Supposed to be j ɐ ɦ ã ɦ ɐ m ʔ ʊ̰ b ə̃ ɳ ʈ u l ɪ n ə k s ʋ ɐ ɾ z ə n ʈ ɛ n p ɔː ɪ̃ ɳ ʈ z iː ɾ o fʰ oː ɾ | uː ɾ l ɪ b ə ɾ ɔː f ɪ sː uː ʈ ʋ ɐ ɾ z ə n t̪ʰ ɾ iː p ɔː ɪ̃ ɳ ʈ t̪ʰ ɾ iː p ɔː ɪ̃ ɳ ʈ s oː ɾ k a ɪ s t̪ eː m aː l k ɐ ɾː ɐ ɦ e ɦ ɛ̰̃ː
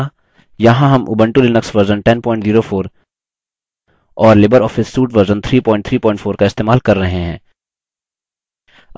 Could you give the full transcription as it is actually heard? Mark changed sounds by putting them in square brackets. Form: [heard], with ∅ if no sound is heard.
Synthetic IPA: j ɐ ɦ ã ɦ ɐ m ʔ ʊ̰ b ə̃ ɳ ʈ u l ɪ n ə k s ʋ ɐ ɾ z ə n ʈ ɛ n p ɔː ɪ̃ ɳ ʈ z iː ɾ o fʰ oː ɾ | [ɔː] ɾ l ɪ b ə ɾ ɔː f ɪ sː uː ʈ ʋ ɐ ɾ z ə n t̪ʰ ɾ iː p ɔː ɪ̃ ɳ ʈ t̪ʰ ɾ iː p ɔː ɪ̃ ɳ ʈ [f] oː ɾ k a ɪ s t̪ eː m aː l k ɐ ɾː ɐ ɦ e ɦ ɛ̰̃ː